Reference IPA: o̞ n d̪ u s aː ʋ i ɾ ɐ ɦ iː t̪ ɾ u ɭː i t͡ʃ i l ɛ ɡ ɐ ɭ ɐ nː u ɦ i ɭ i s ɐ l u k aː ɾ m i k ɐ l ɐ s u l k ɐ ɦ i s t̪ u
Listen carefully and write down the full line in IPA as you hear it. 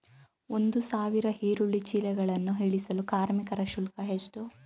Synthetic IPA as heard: o̞ n d̪ u s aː ʋ i ɾ ɐ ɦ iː ɾ u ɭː i t͡ʃ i l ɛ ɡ ɐ ɭ ɐ nː u ɦ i ɭ i s ɐ l u k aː ɾ m i k ɐ ɾ ɐ ʃ u l k ɐ ɦ e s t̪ u